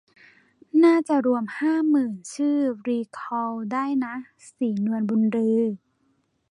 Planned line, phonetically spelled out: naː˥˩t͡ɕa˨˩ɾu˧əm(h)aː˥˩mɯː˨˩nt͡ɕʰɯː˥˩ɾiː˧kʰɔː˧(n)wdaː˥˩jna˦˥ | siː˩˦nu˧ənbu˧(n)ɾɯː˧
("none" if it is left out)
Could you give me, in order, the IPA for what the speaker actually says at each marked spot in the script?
h, none, n

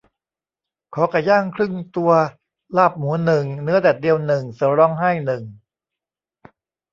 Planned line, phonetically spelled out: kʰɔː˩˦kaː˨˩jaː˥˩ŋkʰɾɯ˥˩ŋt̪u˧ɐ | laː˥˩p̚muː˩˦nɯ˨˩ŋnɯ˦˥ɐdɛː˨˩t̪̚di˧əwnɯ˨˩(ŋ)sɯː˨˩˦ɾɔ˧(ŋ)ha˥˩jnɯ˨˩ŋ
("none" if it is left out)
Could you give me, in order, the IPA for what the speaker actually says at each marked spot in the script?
ŋ, ŋ

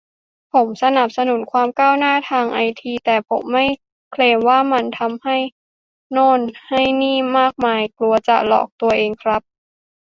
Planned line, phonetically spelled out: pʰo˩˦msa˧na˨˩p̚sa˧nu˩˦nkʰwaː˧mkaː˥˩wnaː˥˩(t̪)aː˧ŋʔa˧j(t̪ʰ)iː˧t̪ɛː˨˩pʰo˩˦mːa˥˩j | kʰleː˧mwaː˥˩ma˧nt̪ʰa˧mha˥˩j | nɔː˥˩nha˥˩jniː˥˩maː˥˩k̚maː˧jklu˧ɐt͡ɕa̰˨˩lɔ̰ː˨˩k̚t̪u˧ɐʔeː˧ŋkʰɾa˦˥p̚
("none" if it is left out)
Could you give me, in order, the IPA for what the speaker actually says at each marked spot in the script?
t̪ʰ, t̪ʰ

